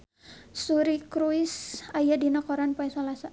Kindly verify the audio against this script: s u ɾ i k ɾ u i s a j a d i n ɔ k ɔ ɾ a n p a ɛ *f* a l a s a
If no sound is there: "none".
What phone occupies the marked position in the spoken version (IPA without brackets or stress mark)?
s